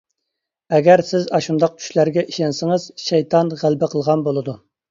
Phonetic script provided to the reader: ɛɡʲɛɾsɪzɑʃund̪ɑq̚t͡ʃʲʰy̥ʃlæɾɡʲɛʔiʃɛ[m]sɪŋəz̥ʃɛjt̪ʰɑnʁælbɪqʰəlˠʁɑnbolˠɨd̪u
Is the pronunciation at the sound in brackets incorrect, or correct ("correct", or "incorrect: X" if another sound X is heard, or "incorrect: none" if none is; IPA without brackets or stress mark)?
incorrect: n